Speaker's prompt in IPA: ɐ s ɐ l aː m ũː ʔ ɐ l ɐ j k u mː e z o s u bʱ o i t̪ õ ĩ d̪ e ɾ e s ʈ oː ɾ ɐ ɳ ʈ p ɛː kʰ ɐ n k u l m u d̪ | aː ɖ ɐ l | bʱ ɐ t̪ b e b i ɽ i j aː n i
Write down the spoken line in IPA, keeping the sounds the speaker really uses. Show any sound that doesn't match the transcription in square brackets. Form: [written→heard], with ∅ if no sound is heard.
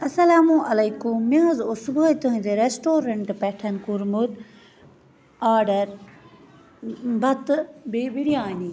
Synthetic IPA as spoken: ɐ s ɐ l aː m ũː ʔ ɐ l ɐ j k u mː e z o s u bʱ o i t̪ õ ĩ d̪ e ɾ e s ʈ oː ɾ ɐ ɳ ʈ p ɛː [kʰ→ʈʰ] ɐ n k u [l→ɾ] m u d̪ | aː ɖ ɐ [l→ɾ] | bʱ ɐ t̪ b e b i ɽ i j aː n i